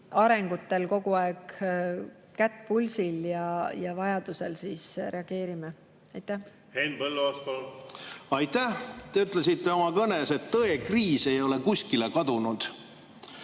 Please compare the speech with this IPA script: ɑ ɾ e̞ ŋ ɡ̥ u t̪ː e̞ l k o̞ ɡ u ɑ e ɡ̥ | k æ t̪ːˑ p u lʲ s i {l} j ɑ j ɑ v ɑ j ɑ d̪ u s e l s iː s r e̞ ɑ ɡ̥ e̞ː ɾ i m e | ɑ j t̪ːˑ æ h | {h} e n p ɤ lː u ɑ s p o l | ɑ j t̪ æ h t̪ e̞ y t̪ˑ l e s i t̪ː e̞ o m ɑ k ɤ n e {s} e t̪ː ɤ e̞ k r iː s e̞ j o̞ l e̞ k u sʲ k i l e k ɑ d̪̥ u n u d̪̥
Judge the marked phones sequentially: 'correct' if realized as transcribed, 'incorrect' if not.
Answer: correct, correct, correct

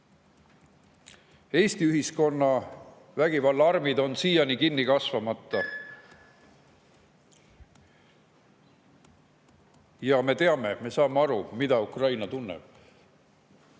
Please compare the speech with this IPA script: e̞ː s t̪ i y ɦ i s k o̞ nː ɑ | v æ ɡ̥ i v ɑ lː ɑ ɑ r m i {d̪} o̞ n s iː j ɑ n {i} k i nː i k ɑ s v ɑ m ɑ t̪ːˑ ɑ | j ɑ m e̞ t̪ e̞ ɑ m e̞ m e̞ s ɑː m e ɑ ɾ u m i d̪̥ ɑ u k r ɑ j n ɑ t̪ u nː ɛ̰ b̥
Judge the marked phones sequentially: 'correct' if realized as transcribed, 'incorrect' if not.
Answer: correct, correct

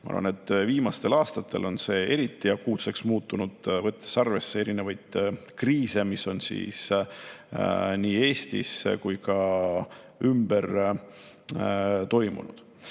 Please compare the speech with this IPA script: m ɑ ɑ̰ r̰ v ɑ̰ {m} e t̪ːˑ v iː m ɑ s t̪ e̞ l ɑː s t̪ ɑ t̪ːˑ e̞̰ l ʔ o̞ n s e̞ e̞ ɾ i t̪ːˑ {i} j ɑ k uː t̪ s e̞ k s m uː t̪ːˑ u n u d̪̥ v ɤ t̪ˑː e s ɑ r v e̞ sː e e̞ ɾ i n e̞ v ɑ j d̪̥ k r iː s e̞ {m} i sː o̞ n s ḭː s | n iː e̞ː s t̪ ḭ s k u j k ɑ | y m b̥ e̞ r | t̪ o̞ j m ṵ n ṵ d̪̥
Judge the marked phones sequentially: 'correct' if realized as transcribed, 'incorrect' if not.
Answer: incorrect, correct, correct

